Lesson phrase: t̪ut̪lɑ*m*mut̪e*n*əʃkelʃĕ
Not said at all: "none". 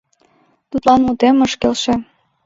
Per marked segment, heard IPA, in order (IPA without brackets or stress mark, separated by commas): n, m